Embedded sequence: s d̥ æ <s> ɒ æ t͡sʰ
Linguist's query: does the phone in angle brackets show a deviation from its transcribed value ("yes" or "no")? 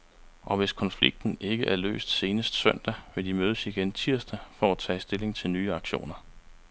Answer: yes